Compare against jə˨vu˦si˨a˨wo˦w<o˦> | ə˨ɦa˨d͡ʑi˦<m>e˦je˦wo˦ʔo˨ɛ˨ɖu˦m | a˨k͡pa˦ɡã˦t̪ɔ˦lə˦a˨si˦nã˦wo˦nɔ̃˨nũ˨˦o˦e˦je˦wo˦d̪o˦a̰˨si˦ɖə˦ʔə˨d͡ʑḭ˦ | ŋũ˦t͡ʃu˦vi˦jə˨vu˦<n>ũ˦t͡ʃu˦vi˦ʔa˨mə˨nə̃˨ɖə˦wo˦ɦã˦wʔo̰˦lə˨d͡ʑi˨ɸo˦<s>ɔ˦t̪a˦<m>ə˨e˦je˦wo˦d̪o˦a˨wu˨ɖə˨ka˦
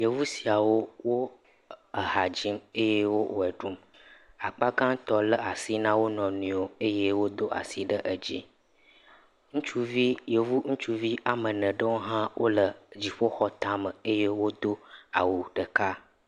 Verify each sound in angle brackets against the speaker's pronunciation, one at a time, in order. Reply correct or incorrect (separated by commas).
correct, correct, incorrect, incorrect, correct